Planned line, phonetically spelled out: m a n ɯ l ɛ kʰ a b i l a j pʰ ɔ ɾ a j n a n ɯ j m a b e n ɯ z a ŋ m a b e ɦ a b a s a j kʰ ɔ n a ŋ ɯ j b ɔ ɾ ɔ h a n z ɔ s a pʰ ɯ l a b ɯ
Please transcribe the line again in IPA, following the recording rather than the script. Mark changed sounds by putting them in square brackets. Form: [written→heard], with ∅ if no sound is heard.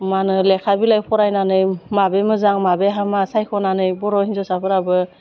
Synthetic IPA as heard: m a n ɯ l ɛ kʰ a b i l a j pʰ ɔ ɾ a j n a n ɯ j m a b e [n→m] ɯ z a ŋ m a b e ɦ a [b→m] a s a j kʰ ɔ n a [ŋ→n] ɯ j b ɔ ɾ ɔ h [a→i] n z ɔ s a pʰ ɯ [l→ɾ] a b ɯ